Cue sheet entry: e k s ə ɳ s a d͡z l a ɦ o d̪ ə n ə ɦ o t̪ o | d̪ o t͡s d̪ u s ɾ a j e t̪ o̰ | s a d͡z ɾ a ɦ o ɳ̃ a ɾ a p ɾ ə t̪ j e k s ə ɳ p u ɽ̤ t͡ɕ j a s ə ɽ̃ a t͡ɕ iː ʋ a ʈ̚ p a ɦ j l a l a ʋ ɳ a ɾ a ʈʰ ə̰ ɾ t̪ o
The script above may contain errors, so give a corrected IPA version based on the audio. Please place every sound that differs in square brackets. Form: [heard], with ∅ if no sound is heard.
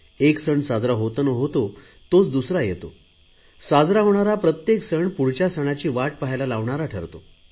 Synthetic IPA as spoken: e k s ə ɳ s a d͡z [ɾ] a ɦ o [t̪] ə n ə ɦ o t̪ o | [t̪] o t͡s d̪ u s ɾ a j e t̪ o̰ | s a d͡z ɾ a ɦ o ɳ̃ a ɾ a p ɾ ə t̪ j e k s ə ɳ p u ɽ̤ t͡ɕ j a s ə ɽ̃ a t͡ɕ iː ʋ a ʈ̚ p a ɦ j l a l a ʋ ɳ a ɾ a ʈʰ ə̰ ɾ t̪ o